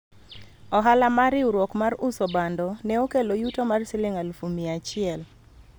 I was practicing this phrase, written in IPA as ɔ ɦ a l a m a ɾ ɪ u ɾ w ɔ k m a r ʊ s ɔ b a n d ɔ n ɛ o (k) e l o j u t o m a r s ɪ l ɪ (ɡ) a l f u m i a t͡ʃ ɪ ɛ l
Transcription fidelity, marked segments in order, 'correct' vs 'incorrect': correct, incorrect: ŋ

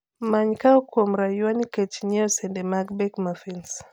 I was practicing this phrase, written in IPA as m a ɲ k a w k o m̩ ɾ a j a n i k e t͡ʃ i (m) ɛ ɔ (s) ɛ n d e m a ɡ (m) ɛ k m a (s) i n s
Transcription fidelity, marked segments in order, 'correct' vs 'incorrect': incorrect: ɲ, correct, incorrect: b, incorrect: f

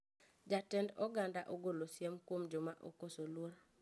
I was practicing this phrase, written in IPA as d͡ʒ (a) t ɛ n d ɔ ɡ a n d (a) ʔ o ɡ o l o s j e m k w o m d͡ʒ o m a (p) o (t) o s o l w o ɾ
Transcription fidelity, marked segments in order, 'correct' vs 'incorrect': correct, correct, incorrect: ʔ, incorrect: k

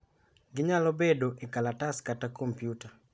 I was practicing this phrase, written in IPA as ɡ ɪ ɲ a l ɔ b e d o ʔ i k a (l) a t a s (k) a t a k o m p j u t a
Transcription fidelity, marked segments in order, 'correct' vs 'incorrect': correct, correct

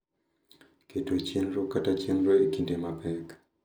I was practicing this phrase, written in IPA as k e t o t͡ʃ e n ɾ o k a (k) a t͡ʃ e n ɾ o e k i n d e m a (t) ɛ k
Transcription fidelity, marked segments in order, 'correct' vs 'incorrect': incorrect: t, incorrect: p

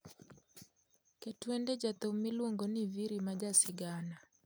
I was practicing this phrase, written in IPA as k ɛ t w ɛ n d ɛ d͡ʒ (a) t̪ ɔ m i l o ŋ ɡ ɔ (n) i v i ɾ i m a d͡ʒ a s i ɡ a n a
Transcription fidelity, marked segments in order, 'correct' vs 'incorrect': correct, correct

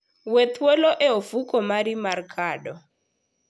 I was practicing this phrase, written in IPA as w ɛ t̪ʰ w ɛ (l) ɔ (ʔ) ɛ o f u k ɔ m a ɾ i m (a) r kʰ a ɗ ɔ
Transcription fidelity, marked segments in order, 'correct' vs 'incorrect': correct, correct, correct

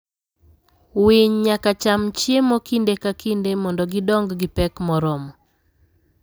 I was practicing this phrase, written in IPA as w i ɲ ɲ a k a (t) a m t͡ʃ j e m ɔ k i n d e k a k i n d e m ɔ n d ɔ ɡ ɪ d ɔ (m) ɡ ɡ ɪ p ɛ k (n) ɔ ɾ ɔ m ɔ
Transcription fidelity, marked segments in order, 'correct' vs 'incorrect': incorrect: t͡ʃ, incorrect: ŋ, incorrect: m

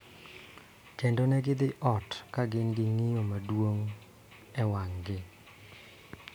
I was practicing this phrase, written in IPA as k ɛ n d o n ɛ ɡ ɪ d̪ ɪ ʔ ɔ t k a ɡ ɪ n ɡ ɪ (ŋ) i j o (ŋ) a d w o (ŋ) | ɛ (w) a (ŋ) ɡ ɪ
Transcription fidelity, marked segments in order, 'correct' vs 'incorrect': correct, incorrect: m, correct, correct, correct

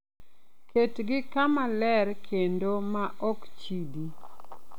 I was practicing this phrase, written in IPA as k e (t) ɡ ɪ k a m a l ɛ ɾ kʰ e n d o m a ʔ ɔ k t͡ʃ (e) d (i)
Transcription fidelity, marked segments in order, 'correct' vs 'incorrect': correct, incorrect: i, correct

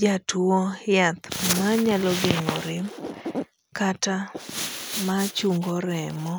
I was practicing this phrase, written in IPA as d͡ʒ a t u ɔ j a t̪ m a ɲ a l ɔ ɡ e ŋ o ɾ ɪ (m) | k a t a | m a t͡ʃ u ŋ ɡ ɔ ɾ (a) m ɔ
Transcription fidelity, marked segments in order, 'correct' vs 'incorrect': correct, incorrect: ɛ

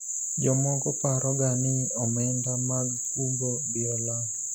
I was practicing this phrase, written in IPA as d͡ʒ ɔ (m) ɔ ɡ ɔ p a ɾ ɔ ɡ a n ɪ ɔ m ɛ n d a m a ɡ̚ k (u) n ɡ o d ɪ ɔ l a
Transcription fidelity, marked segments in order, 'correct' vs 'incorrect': correct, correct

